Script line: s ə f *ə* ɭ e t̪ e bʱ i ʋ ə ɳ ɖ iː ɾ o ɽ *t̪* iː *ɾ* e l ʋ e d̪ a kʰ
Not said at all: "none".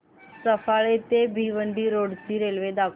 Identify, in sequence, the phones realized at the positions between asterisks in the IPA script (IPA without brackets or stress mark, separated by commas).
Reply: a, t̪, ɾ